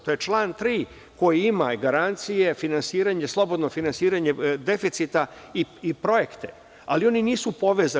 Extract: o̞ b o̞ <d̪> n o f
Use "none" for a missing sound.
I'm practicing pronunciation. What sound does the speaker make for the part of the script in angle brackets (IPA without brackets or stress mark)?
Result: d̪